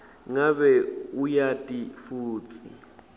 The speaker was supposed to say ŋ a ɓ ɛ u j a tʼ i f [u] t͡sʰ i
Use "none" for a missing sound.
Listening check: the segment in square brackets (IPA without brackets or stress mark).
uː